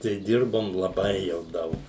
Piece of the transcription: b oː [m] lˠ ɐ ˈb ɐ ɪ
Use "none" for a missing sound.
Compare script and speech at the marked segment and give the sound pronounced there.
m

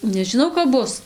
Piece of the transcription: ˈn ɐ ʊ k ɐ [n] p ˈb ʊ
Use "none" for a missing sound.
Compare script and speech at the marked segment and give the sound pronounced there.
none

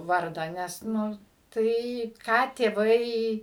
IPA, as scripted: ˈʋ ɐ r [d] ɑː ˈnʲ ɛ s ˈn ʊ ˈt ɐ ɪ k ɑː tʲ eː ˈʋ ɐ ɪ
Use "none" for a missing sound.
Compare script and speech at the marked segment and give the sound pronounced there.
d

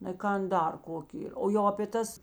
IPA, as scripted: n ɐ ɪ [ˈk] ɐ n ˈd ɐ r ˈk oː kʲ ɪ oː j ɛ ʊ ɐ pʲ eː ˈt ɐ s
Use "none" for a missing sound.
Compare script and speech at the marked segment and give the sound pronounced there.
k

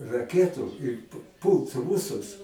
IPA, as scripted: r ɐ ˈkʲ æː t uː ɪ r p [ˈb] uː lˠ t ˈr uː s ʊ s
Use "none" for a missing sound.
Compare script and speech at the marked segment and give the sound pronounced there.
p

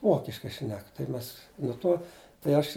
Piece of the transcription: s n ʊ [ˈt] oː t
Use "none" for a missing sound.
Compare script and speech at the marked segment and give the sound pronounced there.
t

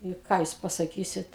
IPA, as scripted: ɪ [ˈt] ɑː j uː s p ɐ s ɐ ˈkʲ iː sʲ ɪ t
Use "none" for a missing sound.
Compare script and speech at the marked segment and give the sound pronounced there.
k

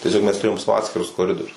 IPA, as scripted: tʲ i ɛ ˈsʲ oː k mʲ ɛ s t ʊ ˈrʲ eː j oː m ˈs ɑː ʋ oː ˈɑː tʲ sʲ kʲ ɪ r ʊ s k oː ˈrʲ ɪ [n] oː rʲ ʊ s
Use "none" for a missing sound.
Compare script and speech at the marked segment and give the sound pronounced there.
d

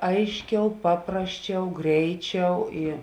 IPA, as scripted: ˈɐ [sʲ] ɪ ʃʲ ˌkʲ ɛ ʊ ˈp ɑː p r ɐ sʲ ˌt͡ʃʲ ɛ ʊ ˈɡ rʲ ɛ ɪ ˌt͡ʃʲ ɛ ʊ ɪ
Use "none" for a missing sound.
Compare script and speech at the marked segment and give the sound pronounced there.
none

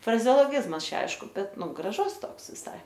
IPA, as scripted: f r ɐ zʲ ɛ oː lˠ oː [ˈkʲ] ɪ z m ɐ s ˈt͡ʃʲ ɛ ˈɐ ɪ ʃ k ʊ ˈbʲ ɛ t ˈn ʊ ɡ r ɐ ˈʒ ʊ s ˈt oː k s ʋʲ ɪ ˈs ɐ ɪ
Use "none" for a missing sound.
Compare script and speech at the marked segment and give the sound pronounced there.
ɡʲ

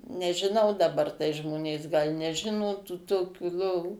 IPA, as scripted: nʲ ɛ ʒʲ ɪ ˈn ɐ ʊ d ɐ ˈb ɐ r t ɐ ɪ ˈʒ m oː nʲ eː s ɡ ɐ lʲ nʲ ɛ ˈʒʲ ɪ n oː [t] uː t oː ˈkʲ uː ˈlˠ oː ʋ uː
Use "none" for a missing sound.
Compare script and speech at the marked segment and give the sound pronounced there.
t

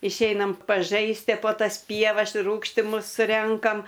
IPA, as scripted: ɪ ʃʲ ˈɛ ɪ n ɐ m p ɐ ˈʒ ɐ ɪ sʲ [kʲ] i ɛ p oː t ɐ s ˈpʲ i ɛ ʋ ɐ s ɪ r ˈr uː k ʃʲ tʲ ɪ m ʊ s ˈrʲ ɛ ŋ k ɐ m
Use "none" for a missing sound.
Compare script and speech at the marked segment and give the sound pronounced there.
tʲ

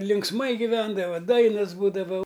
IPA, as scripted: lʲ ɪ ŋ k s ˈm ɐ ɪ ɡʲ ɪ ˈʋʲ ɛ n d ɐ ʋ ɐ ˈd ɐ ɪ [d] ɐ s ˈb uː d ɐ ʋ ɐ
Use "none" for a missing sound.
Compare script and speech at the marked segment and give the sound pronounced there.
n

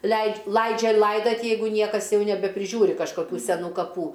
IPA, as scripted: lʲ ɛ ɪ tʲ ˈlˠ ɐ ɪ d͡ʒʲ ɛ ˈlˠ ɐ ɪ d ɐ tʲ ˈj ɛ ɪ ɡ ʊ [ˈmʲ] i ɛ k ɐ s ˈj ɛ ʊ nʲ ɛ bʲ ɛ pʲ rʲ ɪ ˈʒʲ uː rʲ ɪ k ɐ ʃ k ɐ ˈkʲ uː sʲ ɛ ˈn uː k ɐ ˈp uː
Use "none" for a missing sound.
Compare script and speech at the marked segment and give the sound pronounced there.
nʲ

